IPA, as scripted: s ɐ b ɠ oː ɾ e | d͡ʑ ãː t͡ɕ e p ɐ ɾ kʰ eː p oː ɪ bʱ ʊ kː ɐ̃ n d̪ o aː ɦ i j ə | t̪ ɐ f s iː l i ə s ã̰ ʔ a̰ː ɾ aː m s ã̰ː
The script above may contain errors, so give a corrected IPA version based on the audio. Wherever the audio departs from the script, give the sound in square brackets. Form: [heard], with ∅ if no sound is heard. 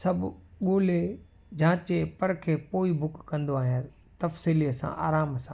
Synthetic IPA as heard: s ɐ b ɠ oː [l] e | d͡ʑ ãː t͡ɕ e p ɐ ɾ kʰ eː p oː [i] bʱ ʊ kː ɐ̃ n d̪ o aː ɦ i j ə | t̪ ɐ f s iː l i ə s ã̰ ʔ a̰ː ɾ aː m s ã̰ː